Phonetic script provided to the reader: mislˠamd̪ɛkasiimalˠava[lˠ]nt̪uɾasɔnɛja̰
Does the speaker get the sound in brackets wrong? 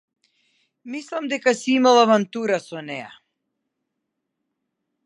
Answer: yes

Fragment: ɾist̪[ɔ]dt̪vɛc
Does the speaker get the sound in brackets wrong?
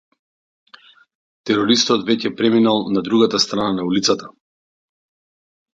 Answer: no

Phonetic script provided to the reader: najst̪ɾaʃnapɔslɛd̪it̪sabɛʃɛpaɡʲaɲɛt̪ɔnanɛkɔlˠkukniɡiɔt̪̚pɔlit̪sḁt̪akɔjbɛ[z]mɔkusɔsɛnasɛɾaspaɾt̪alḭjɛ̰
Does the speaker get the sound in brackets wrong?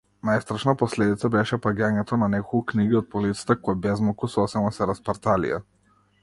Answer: no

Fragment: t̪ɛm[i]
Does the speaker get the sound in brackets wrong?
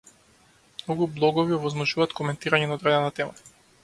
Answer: yes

